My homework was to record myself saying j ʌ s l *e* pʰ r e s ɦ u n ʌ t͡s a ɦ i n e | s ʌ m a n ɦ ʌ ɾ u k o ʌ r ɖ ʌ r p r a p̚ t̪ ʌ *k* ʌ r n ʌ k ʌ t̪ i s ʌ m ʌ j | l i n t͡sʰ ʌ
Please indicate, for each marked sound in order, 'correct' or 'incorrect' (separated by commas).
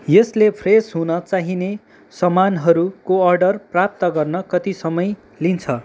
correct, incorrect